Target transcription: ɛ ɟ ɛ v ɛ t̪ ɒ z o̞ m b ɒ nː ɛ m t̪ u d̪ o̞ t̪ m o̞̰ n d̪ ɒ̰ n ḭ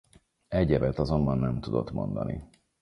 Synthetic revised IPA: ɛ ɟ ɛ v ɛ t̪ ɒ z o̞ m b ɒ nː ɛ m t̪ u d̪ o̞ t̪ m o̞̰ n d̪ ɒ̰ n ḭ